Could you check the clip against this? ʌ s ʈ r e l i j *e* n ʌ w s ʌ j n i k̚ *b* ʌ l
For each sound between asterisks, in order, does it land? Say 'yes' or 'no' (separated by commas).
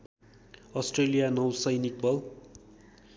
no, yes